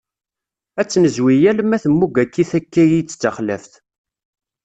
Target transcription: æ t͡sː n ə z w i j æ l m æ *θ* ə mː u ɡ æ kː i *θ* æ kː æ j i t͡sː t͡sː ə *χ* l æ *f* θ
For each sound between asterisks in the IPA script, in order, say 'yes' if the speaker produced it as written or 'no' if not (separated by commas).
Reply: yes, yes, yes, yes